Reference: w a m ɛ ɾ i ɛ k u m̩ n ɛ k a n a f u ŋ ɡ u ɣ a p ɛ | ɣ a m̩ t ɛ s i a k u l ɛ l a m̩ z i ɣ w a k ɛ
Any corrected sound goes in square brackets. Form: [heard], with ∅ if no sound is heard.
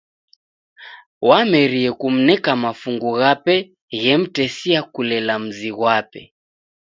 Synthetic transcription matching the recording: w a m ɛ ɾ i ɛ k u m̩ n ɛ k a [m] a f u ŋ ɡ u ɣ a p ɛ | ɣ [ɛ] m̩ t ɛ s i a k u l ɛ l a m̩ z i ɣ w a [p] ɛ